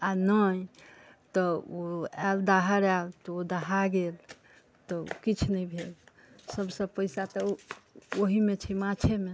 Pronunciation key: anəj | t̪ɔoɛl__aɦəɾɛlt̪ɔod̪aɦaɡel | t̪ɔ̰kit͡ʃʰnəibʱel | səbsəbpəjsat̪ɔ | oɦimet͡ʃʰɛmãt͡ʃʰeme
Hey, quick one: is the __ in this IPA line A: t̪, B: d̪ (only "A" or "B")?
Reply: B